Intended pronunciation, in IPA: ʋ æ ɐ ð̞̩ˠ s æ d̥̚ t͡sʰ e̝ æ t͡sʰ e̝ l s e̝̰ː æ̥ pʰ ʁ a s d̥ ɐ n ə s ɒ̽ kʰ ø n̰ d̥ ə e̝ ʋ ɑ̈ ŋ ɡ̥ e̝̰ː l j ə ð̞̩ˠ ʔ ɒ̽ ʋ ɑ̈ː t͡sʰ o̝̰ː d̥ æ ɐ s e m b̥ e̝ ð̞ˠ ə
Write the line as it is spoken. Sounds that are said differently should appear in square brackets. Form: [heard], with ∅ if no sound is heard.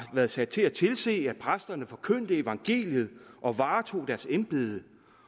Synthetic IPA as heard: ʋ æ ɐ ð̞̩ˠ s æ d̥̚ t͡sʰ e̝ æ t͡sʰ e̝ l s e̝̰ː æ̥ pʰ ʁ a s d̥ ɐ n ə [f] ɒ̽ kʰ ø n̰ d̥ ə e̝ ʋ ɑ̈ ŋ ɡ̥ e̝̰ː l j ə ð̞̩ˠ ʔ ɒ̽ ʋ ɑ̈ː t͡sʰ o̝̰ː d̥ æ ɐ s e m b̥ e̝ ð̞ˠ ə